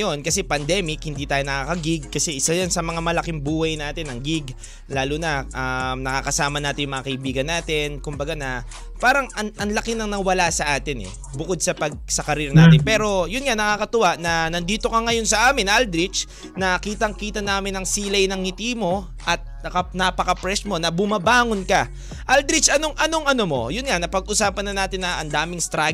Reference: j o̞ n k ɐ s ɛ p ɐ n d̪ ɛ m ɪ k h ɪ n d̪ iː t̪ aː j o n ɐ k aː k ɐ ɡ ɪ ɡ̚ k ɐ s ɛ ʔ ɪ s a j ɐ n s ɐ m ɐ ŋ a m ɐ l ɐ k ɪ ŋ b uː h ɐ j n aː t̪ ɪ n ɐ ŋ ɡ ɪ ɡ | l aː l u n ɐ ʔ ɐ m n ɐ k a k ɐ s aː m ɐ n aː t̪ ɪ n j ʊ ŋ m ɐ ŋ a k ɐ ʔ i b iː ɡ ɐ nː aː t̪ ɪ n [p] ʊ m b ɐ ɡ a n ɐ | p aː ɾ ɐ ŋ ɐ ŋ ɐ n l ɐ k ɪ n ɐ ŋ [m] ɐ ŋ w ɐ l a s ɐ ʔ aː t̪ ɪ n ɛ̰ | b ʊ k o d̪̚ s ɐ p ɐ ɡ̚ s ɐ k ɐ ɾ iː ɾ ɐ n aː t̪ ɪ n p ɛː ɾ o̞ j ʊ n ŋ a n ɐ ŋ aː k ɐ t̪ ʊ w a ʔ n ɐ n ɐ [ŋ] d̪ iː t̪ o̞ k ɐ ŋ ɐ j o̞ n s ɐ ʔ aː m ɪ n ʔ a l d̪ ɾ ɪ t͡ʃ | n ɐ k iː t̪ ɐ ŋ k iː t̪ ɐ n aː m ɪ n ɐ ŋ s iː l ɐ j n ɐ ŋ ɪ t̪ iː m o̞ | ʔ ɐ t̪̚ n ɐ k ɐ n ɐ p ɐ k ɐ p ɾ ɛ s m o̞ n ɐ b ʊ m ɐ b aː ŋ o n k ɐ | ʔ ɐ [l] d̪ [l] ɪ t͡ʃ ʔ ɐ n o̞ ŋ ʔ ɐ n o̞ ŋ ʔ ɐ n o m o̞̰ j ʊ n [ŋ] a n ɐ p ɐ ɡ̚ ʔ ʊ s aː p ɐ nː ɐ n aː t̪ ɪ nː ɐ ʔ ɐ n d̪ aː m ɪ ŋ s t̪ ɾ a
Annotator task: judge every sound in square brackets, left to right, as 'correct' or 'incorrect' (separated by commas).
incorrect, incorrect, incorrect, correct, incorrect, correct